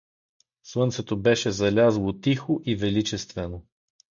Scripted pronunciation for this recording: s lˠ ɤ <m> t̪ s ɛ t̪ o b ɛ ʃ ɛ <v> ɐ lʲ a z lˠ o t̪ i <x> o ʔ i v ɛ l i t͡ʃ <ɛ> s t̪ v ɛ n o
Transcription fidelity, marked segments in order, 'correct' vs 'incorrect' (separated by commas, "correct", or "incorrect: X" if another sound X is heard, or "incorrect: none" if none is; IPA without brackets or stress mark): incorrect: n, incorrect: z, correct, correct